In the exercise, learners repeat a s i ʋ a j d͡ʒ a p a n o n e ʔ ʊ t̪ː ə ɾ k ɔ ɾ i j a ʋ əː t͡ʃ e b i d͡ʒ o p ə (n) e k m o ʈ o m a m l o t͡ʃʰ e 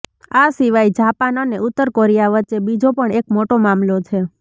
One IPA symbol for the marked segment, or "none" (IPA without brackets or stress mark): ɳ